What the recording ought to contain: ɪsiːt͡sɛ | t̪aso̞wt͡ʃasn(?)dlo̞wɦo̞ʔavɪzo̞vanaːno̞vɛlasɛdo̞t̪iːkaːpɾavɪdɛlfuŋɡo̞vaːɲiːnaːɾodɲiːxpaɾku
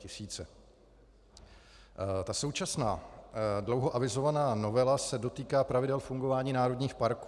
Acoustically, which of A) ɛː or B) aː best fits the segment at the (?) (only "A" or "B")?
B